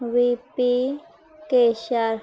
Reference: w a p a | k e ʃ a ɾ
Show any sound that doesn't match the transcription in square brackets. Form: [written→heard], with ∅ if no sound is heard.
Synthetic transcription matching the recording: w [a→i] p [a→i] | k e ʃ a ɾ

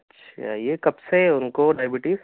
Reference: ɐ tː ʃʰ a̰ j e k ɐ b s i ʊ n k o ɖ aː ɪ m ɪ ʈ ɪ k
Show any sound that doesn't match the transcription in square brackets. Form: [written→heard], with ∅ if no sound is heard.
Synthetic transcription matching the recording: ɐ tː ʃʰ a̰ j e k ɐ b s [i→e] ʊ n k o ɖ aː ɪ [m→b] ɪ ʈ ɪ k

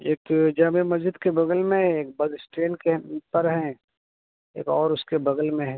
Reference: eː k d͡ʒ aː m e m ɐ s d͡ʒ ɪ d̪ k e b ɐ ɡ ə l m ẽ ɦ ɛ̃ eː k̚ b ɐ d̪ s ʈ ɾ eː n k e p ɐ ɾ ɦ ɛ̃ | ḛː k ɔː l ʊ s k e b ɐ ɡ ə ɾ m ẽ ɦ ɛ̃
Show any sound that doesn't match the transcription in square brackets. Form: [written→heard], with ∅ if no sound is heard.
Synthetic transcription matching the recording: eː k d͡ʒ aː m e m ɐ [s→z] d͡ʒ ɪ d̪ k e b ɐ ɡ ə l m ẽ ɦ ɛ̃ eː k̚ b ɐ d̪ s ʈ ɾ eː n k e p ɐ ɾ ɦ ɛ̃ | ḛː k ɔː [l→ɾ] ʊ s k e b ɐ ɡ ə [ɾ→l] m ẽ ɦ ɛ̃

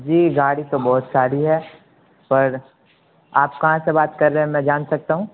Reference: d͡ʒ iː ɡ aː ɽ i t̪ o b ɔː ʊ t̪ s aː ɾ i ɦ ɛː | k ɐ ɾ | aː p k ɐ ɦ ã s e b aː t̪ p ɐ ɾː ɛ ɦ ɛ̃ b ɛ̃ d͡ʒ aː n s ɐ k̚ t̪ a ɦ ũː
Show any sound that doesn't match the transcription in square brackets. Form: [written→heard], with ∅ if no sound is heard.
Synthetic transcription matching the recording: d͡ʒ iː ɡ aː ɽ i t̪ o b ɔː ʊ t̪ s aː ɾ i ɦ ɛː | [k→p] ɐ ɾ | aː p k ɐ ɦ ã s e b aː t̪ [p→k] ɐ ɾː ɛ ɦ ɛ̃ [b→m] ɛ̃ d͡ʒ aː n s ɐ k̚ t̪ a ɦ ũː

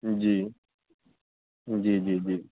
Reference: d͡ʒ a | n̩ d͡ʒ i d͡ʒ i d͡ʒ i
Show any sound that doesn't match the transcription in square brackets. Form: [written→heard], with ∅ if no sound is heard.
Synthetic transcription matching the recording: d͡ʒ [a→i] | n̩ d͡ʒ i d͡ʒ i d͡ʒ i

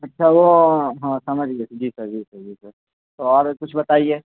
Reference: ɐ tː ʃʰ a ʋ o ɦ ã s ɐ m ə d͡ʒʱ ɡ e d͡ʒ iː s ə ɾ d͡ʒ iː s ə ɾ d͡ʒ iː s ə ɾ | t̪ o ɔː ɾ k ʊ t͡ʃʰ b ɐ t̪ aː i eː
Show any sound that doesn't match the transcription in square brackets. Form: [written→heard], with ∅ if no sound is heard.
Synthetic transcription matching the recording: ɐ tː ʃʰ a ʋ o ɦ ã s ɐ m ə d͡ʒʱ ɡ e d͡ʒ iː s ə ɾ d͡ʒ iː s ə ɾ d͡ʒ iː s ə ɾ | t̪ o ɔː ɾ k ʊ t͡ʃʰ b ɐ t̪ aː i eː

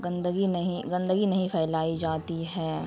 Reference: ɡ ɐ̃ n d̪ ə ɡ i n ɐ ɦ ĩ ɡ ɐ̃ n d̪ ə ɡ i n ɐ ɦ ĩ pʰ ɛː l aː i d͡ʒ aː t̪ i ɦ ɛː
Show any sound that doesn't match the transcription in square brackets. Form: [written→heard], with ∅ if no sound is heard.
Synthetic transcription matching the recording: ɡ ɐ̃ n d̪ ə ɡ i n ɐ ɦ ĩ ɡ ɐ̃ n d̪ ə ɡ i n ɐ ɦ ĩ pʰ ɛː l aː i d͡ʒ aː t̪ i ɦ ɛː

